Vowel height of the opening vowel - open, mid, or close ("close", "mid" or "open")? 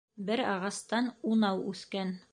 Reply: mid